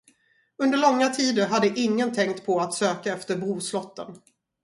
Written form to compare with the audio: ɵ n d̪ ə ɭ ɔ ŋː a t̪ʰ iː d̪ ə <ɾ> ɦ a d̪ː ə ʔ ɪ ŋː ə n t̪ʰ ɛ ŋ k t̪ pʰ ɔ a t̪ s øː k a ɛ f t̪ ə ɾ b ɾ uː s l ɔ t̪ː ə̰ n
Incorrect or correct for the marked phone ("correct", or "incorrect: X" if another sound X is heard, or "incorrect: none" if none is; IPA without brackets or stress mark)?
correct